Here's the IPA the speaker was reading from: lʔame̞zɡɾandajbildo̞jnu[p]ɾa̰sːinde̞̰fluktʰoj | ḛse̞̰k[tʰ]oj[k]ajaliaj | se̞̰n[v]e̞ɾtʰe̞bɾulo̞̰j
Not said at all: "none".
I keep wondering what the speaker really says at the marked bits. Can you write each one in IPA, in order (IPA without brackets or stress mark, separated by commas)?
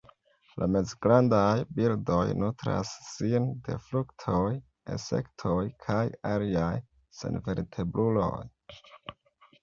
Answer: t, tʰ, kʰ, v